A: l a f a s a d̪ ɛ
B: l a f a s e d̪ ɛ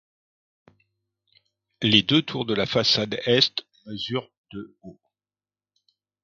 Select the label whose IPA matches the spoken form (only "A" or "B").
A